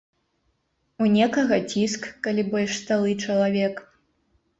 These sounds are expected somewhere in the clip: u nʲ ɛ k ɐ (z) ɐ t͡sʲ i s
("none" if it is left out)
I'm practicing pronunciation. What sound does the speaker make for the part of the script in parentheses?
ɣ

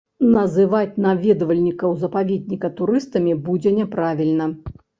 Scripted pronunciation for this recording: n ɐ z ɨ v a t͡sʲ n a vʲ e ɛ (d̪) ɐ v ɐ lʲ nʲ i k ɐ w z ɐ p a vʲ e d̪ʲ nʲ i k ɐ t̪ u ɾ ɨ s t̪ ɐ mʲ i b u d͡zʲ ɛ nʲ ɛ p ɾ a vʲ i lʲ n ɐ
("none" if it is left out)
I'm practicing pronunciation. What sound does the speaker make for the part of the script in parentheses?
d̪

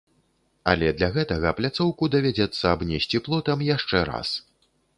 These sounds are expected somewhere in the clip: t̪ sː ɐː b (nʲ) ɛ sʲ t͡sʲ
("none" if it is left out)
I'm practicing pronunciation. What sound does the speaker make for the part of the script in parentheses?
nʲ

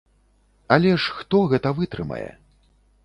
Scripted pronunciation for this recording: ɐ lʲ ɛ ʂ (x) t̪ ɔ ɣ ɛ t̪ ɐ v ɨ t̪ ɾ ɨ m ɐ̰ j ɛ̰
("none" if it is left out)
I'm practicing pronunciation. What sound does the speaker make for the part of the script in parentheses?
x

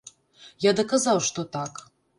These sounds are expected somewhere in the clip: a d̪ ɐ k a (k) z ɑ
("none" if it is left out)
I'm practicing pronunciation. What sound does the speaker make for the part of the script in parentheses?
none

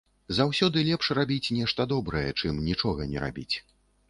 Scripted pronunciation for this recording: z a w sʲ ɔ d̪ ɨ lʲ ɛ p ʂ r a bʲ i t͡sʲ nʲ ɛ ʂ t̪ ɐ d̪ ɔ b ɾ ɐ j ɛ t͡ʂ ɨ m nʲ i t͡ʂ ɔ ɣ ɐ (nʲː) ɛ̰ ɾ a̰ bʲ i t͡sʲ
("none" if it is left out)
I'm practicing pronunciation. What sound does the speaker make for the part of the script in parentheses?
nʲ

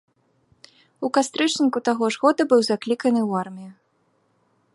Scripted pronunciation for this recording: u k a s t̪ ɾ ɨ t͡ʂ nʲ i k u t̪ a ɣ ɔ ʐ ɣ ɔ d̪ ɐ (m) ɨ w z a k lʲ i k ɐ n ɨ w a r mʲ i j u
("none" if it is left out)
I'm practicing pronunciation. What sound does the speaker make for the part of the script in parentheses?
b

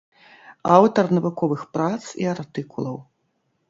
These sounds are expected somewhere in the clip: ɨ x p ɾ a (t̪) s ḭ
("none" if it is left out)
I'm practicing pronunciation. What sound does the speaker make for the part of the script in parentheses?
t̪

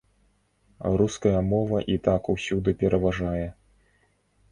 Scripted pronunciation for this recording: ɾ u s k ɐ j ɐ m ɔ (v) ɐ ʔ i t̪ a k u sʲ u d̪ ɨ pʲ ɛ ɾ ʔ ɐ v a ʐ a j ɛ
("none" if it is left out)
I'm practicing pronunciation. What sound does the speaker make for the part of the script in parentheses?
v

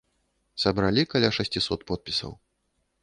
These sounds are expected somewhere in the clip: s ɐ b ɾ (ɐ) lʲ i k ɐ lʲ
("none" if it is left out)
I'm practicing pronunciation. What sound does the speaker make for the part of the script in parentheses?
a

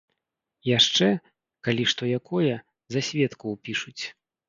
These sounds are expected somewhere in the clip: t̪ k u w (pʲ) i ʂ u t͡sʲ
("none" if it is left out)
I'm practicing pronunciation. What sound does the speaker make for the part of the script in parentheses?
pʲ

